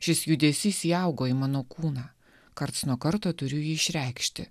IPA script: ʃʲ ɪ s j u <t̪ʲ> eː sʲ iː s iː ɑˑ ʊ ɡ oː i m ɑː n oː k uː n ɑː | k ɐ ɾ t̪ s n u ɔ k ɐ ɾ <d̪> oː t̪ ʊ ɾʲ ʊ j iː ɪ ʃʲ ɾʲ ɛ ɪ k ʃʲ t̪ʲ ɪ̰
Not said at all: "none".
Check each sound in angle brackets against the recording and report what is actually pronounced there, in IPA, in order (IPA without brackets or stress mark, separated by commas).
d̪ʲ, t̪